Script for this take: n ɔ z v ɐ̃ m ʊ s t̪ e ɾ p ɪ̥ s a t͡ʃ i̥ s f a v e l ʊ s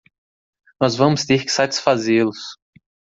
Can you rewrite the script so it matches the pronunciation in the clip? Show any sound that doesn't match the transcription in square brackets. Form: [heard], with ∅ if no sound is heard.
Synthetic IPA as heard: n ɔ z v ɐ̃ m ʊ s t̪ e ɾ [k] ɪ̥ s a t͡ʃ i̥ s f a [z] e l ʊ s